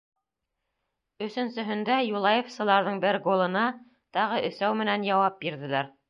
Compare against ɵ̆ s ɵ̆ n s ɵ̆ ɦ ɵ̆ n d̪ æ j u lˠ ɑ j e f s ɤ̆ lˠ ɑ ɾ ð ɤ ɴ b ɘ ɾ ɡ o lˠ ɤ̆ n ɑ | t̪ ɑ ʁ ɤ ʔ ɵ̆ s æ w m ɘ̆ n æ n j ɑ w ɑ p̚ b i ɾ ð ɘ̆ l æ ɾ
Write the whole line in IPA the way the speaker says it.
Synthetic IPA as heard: ɵ̆ s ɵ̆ n s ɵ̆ ɦ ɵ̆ n d̪ æ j u lˠ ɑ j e f s ɤ̆ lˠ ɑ ɾ ð ɤ ɴ b ɘ ɾ ɡ o lˠ ɤ̆ n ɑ | t̪ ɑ ʁ ɤ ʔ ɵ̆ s æ w m ɘ̆ n æ n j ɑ w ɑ p̚ b i ɾ ð ɘ̆ l æ ɾ